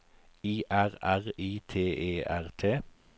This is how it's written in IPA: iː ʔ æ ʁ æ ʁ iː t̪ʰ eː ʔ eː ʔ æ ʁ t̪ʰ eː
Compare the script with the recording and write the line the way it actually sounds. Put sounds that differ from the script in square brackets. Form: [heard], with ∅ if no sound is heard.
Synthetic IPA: iː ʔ æ ʁ æ ʁ iː t̪ʰ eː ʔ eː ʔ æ ʁ t̪ʰ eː